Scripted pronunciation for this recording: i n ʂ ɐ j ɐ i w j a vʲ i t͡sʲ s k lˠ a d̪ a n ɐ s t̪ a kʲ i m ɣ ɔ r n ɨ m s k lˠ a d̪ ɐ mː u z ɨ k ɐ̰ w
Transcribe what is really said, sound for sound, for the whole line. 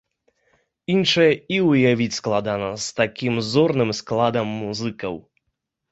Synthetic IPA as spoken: i n ʂ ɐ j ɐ i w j a vʲ i t͡sʲ s k lˠ a d̪ a n ɐ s t̪ a kʲ i m z ɔ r n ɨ m s k lˠ a d̪ ɐ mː u z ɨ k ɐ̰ w